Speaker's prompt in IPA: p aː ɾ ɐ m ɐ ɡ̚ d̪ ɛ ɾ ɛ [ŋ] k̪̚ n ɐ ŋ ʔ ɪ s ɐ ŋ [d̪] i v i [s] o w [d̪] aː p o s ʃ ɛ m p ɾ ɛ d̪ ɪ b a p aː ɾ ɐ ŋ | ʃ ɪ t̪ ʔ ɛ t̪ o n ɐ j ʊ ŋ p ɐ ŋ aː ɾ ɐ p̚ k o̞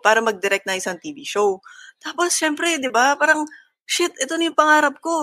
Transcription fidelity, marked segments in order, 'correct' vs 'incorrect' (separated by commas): incorrect, incorrect, incorrect, incorrect